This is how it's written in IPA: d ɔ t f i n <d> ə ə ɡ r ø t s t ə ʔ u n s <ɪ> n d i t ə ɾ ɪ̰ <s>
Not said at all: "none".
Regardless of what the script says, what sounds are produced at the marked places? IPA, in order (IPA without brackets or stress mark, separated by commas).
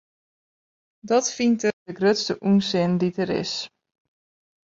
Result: t, ɪ, s